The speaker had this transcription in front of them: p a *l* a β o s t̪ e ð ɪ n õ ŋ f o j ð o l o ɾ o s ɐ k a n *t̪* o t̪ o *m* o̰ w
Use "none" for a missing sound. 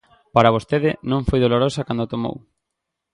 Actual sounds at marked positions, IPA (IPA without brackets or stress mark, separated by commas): ɾ, d̪, m